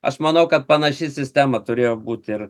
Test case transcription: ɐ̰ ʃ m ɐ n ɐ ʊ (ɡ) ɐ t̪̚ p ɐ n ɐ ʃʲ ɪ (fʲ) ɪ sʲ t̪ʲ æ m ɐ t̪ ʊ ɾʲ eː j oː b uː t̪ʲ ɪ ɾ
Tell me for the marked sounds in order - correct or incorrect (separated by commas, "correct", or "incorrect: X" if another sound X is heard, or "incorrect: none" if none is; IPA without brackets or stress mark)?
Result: incorrect: k, incorrect: sʲ